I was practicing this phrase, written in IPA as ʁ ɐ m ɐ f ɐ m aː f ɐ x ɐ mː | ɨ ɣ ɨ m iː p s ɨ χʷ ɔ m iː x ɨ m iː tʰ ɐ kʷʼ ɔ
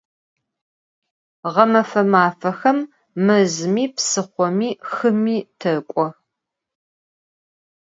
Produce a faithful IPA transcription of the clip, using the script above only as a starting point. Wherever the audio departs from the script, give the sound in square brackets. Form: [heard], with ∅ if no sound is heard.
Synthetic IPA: ʁ ɐ m ɐ f ɐ m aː f ɐ x ɐ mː | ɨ [z] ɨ m iː p s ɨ χʷ ɔ m iː x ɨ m iː tʰ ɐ kʷʼ ɔ